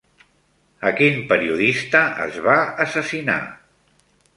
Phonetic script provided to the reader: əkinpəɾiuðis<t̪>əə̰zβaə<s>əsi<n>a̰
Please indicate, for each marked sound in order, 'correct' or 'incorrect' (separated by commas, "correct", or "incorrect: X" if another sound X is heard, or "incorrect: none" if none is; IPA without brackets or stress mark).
correct, correct, correct